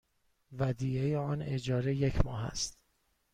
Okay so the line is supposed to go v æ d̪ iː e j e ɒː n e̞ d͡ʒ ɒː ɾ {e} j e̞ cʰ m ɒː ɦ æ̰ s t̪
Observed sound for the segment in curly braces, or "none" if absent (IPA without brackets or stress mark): e